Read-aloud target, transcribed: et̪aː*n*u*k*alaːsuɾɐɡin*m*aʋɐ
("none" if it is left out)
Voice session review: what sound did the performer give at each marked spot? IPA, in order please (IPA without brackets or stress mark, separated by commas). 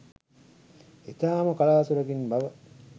m, k, b